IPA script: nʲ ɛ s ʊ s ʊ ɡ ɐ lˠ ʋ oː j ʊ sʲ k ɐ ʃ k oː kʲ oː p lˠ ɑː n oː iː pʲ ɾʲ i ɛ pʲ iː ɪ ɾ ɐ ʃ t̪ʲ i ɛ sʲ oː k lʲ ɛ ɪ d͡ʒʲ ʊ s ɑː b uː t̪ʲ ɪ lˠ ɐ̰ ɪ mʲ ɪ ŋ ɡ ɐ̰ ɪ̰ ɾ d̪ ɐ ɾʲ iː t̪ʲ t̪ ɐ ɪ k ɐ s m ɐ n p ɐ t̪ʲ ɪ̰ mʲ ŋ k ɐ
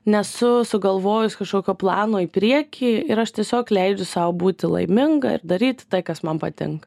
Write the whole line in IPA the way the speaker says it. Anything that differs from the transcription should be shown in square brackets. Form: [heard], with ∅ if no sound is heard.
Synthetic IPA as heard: nʲ ɛ s ʊ s ʊ ɡ ɐ lˠ ʋ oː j ʊ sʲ k ɐ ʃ k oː kʲ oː p lˠ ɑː n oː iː pʲ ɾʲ i ɛ [kʲ] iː ɪ ɾ ɐ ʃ t̪ʲ i ɛ sʲ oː k lʲ ɛ ɪ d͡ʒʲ ʊ s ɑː b uː t̪ʲ ɪ lˠ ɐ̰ ɪ mʲ ɪ ŋ ɡ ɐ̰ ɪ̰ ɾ d̪ ɐ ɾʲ iː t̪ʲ t̪ ɐ ɪ k ɐ s m ɐ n p ɐ t̪ʲ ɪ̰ [∅] ŋ k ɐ